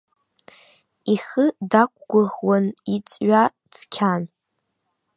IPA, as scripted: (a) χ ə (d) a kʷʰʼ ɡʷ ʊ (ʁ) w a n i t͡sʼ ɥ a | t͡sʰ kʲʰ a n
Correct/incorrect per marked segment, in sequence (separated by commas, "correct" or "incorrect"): incorrect, correct, correct